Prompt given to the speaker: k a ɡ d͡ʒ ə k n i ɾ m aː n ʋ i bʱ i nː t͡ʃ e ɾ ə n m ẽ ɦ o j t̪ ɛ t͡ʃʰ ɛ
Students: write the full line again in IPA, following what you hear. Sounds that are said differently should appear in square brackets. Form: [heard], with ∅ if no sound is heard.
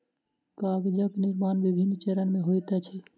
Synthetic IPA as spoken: k a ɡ d͡ʒ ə k n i ɾ m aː n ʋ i bʱ i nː t͡ʃ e ɾ ə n m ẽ ɦ o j t̪ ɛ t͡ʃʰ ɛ